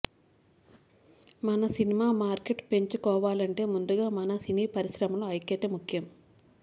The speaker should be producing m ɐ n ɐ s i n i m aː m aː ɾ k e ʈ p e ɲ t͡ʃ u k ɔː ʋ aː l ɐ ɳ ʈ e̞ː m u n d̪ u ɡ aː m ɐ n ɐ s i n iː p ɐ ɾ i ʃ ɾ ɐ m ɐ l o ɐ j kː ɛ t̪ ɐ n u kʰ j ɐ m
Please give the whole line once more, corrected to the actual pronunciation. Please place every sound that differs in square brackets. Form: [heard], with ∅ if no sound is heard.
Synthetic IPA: m ɐ n ɐ s i n i m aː m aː ɾ k e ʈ p e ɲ t͡ʃ u k ɔː ʋ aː l ɐ ɳ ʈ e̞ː m u n d̪ u ɡ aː m ɐ n ɐ s i n iː p ɐ ɾ i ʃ ɾ ɐ m ɐ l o ɐ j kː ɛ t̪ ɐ [m] u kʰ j ɐ m